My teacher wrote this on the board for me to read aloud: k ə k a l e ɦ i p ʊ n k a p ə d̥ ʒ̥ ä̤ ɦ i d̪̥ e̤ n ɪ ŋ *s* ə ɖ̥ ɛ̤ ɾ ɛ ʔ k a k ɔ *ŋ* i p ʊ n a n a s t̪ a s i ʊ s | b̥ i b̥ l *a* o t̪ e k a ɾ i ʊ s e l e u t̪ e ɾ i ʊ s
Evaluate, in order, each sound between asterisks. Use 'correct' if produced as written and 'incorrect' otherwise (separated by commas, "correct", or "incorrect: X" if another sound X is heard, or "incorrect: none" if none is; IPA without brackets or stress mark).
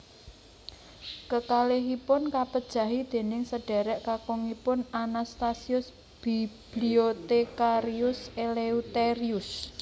correct, correct, incorrect: i